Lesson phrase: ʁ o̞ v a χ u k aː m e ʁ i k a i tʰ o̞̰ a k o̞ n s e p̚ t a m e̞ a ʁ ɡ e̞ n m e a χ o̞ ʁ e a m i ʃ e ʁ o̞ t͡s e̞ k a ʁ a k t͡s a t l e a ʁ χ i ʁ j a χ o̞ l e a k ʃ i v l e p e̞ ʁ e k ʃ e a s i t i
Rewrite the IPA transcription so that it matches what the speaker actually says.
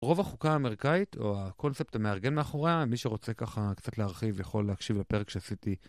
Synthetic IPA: ʁ o̞ v a χ u k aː m e ʁ i k a i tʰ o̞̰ a k o̞ n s e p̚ t a m e̞ a ʁ ɡ e̞ n m e a χ o̞ ʁ e a m i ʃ e ʁ o̞ t͡s e̞ k a χ a k t͡s a t l e a ʁ χ i v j a χ o̞ l e a k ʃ i v l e p e̞ ʁ e k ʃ e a s i t i